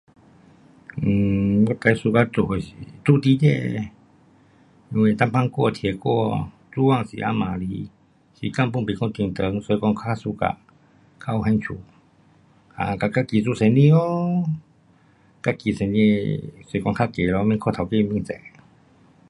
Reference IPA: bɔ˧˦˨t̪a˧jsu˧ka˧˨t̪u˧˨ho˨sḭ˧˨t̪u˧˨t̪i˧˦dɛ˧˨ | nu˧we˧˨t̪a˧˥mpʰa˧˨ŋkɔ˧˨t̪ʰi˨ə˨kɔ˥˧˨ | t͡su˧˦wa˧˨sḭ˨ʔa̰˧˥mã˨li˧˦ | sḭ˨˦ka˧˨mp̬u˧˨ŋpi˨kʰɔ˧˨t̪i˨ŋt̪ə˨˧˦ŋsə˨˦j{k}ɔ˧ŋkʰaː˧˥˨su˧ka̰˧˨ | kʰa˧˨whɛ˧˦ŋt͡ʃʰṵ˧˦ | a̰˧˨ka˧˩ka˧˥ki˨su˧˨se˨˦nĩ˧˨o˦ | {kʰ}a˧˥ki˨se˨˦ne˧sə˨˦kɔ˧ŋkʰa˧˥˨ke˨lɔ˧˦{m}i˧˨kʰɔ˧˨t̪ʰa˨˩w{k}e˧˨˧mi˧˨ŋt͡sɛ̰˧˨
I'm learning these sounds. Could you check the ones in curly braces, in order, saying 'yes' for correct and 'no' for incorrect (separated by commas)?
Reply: yes, no, yes, yes